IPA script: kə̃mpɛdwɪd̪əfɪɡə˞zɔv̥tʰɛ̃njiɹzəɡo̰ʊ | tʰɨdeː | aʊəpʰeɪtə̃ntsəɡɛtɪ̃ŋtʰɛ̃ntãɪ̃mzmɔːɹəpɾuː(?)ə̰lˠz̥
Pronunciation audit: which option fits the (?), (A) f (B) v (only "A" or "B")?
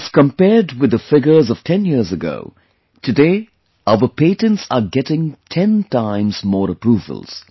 B